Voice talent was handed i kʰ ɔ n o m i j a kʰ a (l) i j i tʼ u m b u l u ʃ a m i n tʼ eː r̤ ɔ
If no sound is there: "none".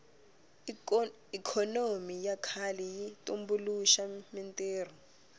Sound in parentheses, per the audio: l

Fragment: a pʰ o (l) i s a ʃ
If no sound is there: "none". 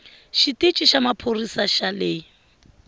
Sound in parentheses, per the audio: r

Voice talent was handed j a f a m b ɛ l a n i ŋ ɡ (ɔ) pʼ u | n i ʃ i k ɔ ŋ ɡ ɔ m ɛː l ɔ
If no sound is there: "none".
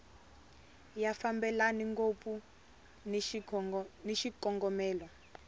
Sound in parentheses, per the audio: o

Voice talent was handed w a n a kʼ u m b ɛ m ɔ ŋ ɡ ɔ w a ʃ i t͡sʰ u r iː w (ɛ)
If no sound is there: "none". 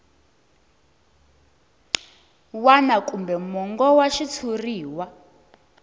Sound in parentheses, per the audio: a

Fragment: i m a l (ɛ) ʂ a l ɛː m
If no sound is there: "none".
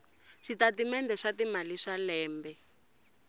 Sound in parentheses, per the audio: i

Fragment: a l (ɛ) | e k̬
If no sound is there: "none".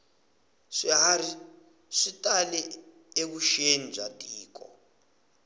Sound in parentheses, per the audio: ɛ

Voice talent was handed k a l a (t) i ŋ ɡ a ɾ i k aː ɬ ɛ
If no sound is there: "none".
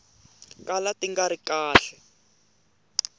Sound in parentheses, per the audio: t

